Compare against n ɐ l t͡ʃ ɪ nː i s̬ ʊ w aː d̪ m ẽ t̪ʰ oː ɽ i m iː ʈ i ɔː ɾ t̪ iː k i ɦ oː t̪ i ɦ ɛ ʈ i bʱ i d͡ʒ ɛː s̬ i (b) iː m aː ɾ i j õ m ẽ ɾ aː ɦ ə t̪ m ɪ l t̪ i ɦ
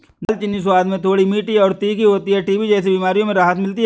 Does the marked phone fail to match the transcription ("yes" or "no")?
no